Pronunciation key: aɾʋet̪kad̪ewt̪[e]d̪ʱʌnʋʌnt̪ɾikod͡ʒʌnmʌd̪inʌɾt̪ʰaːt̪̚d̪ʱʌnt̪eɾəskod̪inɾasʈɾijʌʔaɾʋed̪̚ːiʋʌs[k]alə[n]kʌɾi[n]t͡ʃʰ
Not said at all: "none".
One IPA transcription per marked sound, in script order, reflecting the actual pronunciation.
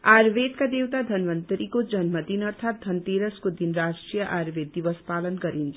a, p, n, n

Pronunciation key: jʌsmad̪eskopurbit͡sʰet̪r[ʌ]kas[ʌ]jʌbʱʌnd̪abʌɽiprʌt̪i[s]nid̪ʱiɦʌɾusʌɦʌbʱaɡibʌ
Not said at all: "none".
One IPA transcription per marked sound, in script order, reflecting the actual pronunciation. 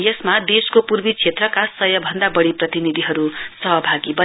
ʌ, ʌ, none

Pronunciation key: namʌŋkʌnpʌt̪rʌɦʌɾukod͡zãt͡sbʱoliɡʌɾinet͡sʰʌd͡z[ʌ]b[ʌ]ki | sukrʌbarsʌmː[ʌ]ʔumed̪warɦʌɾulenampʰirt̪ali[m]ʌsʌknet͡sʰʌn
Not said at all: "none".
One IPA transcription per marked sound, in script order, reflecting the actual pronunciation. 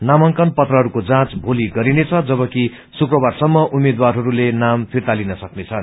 ʌ, ʌ, ʌ, n

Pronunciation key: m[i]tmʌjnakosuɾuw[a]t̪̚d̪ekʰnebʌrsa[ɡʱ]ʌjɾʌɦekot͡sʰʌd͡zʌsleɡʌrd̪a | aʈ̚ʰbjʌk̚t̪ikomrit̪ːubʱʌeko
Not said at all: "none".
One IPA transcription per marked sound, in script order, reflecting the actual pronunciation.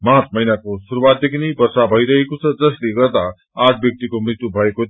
a, a, bʱ

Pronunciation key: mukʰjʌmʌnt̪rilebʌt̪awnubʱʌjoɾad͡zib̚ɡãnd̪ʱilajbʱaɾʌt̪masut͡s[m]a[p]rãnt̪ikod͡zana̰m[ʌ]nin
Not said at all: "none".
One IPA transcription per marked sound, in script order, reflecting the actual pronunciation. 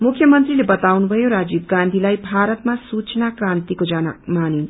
n, k, a

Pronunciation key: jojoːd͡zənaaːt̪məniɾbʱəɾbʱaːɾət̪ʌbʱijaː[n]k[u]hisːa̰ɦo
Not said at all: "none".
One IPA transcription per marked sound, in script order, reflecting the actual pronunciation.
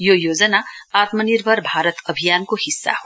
n, o

